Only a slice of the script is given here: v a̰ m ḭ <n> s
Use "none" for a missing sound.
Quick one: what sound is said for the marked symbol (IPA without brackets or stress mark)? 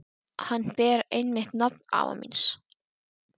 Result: n